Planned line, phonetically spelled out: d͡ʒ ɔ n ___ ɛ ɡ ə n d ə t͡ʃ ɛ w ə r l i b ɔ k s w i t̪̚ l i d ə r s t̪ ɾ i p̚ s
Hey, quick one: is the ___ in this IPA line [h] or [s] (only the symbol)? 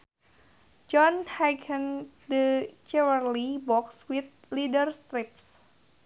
h